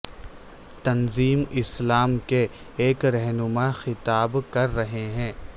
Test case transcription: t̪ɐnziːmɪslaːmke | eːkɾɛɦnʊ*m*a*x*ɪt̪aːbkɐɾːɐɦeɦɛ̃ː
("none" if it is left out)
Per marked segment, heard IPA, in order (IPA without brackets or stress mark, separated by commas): m, x